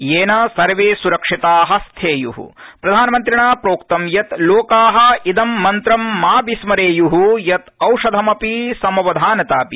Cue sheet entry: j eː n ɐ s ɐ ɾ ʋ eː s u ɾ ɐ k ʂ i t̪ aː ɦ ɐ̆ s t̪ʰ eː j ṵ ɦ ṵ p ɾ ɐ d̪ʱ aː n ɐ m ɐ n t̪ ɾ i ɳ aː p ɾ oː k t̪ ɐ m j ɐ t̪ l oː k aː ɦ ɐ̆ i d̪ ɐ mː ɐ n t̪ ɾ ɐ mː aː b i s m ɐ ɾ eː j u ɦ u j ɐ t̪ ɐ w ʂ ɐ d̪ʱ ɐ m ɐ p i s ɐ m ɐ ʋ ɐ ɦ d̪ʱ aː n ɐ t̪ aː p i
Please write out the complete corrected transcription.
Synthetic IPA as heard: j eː n ɐ s ɐ ɾ ʋ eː s u ɾ ɐ k ʂ i t̪ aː ɦ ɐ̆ s t̪ʰ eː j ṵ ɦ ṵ p ɾ ɐ d̪ʱ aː n ɐ m ɐ n t̪ ɾ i ɳ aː p ɾ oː k t̪ ɐ m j ɐ t̪ l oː k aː ɦ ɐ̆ i d̪ ɐ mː ɐ n t̪ ɾ ɐ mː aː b i s m ɐ ɾ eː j u ɦ u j ɐ t̪ ɐ w ʂ ɐ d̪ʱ ɐ m ɐ p i s ɐ m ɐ ʋ ɐ d̪ʱ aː n ɐ t̪ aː p i